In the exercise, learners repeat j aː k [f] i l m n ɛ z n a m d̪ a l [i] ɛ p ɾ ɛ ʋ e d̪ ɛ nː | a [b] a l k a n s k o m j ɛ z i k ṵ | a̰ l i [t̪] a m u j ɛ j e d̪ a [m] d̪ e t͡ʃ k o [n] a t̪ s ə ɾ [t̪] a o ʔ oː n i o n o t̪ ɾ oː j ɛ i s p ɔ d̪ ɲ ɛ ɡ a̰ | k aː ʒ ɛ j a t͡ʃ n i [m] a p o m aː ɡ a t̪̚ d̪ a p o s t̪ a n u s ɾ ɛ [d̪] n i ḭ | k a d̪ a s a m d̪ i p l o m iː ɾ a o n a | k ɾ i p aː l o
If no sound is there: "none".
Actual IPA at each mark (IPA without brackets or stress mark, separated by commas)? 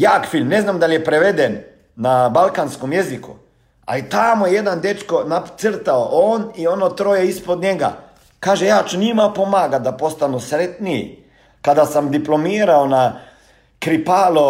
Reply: f, j, b, t̪, n, n, t̪, m, t̪